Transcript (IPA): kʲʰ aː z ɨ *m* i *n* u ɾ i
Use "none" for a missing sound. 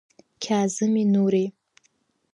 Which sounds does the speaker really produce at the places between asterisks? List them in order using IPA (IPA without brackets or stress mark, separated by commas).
m, n